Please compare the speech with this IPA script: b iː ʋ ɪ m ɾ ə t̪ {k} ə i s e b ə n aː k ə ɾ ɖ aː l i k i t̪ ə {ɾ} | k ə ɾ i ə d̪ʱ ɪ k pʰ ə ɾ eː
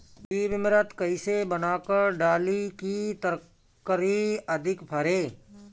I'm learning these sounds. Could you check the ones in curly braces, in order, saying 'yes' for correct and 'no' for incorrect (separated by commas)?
yes, yes